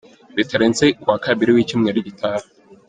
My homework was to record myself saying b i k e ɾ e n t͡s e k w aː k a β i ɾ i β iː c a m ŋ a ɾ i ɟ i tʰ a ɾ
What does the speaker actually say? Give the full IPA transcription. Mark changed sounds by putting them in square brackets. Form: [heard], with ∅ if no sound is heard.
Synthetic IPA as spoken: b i [t] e ɾ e n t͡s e k w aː k a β i ɾ i [w] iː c [i] m ŋ [e] ɾ i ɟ i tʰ a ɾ